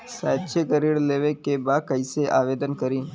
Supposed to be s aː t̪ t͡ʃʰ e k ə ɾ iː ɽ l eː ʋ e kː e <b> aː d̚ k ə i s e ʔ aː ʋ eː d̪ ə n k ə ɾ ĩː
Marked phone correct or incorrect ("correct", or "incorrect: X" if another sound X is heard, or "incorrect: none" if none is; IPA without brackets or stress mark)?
correct